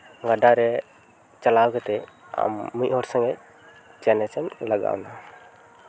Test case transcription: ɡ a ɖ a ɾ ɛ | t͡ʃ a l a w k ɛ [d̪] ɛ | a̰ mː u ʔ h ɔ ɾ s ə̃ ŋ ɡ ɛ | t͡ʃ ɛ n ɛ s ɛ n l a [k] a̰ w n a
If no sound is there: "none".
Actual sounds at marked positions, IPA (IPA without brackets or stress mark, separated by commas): t̪, ɡ